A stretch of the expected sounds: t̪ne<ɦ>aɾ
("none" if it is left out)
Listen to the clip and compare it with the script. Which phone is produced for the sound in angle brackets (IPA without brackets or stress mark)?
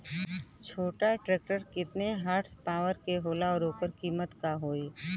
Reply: ɦ